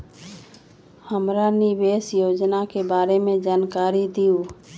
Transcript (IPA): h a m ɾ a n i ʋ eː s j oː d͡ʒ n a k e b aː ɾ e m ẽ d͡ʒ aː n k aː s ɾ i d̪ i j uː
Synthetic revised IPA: h ə m ɾ a n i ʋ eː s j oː d͡ʒ n a k e b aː ɾ e m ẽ d͡ʒ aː n k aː ɾ i d̪ i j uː